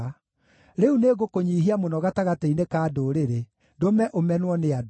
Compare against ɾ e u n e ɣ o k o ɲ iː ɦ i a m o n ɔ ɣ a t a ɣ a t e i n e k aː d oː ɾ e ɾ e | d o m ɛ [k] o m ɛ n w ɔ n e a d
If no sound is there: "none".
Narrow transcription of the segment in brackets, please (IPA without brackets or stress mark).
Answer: ʔ